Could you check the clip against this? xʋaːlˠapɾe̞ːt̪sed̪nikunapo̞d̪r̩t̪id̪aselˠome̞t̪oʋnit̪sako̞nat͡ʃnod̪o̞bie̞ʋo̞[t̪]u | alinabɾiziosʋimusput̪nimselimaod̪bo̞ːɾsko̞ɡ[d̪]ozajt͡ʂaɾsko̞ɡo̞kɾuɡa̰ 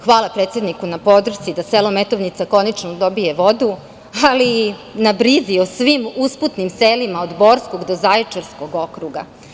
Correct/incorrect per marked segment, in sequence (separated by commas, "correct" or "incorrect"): incorrect, correct